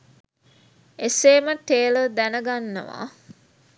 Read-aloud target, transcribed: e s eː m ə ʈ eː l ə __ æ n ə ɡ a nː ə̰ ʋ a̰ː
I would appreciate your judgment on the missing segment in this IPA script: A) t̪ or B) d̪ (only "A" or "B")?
B